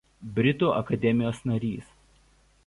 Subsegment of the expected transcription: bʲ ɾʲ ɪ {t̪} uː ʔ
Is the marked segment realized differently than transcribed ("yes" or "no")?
no